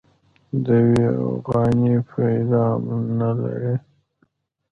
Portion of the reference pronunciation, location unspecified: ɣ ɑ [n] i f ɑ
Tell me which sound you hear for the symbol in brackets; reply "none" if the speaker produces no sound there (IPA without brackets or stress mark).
n